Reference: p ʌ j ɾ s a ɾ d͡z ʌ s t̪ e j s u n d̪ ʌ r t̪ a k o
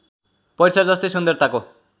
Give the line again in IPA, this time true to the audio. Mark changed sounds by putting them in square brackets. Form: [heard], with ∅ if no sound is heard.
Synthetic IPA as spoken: p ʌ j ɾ s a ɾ d͡z ʌ s t̪ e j s u n d̪ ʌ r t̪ a k o